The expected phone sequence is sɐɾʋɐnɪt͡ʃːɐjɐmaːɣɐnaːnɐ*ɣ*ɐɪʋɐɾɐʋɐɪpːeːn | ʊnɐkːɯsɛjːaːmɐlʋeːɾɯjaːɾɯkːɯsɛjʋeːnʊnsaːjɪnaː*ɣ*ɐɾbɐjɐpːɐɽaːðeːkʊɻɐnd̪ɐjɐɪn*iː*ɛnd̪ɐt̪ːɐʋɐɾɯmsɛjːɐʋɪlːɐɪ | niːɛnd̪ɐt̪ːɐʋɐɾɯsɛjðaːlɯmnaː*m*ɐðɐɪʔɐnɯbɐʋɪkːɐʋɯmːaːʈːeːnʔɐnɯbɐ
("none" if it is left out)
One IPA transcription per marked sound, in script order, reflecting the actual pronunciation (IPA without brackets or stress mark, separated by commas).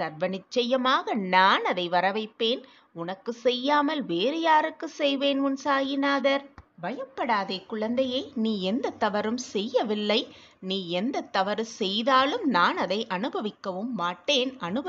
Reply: ð, ð, iː, n